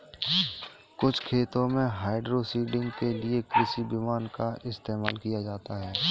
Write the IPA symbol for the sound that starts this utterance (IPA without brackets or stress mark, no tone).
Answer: k